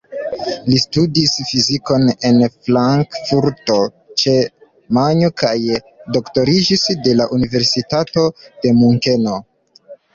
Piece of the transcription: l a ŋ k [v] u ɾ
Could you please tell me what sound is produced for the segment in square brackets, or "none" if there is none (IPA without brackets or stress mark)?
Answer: f